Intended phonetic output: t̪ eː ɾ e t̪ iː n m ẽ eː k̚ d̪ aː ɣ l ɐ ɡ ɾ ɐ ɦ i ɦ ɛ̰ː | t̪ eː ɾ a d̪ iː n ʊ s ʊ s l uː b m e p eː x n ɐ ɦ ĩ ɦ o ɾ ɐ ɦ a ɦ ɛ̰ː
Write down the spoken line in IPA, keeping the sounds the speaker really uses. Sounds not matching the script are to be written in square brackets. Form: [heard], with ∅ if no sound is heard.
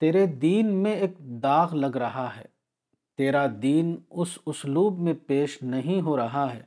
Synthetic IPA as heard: t̪ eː ɾ e [d̪] iː n m ẽ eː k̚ d̪ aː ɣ l ɐ ɡ ɾ ɐ ɦ [a] ɦ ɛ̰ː | t̪ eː ɾ a d̪ iː n ʊ s ʊ s l uː b m [ẽ] p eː [ʃ] n ɐ ɦ ĩ ɦ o ɾ ɐ ɦ a ɦ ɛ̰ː